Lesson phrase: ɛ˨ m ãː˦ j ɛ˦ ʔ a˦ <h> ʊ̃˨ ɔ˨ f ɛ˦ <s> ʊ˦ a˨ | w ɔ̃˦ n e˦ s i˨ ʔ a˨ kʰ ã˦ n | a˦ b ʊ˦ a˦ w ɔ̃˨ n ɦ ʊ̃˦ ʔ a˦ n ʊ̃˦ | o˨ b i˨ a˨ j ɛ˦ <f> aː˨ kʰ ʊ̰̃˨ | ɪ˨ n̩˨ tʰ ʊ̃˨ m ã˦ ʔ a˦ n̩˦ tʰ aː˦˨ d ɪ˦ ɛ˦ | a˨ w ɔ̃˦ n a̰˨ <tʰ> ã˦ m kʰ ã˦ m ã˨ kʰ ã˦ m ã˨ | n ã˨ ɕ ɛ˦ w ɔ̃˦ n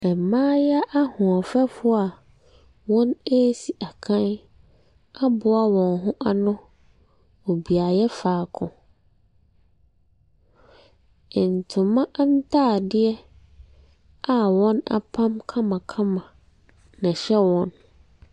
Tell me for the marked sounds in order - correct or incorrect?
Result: correct, incorrect: f, correct, incorrect: pʰ

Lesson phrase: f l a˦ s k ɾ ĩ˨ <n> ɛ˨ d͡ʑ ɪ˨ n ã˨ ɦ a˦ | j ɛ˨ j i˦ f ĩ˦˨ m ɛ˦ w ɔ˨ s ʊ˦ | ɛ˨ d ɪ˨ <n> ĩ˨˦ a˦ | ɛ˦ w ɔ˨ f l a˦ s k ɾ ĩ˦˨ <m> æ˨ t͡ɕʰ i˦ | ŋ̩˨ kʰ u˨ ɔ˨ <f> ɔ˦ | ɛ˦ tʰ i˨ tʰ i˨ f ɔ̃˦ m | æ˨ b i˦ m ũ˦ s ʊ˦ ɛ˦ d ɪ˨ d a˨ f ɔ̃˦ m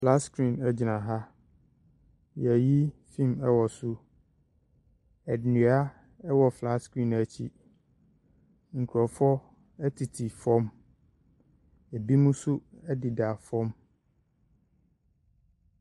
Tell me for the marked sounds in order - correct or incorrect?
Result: correct, correct, incorrect: n, correct

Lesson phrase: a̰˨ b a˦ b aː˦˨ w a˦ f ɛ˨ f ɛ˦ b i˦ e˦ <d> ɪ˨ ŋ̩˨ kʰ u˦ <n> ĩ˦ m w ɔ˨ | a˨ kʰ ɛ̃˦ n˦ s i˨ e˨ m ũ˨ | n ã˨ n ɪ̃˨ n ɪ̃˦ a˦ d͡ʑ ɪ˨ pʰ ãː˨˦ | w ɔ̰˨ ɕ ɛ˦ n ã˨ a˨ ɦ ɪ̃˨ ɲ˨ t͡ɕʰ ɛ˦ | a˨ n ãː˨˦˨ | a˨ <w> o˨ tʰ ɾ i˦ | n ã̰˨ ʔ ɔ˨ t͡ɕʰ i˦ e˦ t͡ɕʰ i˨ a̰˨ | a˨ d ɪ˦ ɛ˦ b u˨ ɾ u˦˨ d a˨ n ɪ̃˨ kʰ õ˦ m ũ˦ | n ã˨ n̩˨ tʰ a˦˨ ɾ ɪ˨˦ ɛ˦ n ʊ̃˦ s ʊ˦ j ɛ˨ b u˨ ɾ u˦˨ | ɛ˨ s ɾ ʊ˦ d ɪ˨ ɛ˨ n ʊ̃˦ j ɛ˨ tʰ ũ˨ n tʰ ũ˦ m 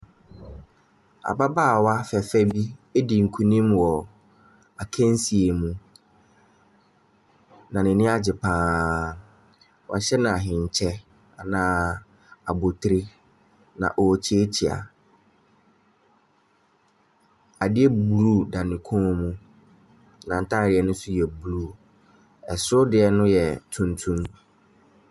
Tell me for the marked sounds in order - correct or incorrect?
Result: correct, correct, incorrect: b

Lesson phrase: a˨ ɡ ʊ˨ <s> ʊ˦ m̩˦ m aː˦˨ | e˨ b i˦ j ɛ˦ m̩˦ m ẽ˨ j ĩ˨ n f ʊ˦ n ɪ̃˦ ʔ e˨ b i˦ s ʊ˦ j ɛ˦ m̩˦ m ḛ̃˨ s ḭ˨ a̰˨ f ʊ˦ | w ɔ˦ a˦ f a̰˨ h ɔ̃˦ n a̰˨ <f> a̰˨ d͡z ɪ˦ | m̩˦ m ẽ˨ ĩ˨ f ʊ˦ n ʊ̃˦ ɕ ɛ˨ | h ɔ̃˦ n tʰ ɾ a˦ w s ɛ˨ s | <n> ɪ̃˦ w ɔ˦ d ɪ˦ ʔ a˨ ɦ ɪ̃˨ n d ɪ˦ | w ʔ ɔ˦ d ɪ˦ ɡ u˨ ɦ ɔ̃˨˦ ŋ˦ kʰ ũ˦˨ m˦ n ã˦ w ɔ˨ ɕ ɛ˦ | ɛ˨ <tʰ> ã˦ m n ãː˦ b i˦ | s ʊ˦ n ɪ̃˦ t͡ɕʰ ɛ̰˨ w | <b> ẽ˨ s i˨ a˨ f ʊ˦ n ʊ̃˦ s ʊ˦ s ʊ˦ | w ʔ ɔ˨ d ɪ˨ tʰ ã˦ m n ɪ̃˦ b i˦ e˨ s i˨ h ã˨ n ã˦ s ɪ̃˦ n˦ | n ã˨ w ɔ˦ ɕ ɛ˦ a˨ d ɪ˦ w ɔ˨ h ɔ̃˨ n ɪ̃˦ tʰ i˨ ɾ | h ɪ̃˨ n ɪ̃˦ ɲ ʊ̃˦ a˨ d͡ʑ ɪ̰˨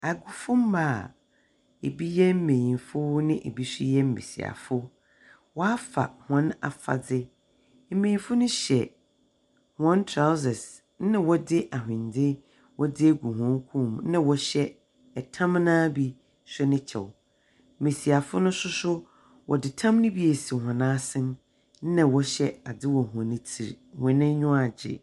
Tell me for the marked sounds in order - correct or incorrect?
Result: incorrect: f, correct, correct, correct, incorrect: m

